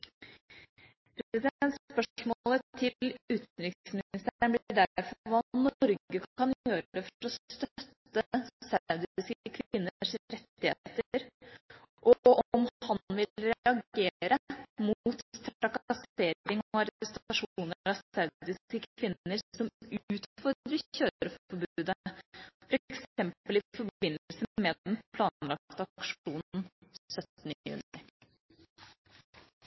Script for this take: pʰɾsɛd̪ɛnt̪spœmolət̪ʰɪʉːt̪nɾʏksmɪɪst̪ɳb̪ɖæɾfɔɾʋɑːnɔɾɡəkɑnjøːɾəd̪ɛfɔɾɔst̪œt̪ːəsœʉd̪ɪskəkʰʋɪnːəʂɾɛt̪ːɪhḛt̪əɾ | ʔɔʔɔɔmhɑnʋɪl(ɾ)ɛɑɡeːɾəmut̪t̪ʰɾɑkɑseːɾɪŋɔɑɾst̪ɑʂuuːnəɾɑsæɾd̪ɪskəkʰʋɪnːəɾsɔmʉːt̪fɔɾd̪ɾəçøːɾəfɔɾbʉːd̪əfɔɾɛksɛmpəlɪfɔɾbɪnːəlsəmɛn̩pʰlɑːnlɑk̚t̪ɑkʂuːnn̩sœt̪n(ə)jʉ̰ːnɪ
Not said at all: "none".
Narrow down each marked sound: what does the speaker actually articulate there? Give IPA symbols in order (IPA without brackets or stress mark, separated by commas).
ɾ, ə